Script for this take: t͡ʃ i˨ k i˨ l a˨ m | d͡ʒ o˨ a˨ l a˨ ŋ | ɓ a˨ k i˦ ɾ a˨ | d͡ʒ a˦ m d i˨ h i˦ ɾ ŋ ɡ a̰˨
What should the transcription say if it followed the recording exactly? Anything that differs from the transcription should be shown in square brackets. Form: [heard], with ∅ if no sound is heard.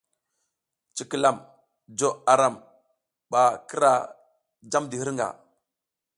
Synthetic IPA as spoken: t͡ʃ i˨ k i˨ l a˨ m | d͡ʒ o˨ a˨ [ɾ] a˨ [m] | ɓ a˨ k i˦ ɾ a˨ | d͡ʒ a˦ m d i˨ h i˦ ɾ ŋ ɡ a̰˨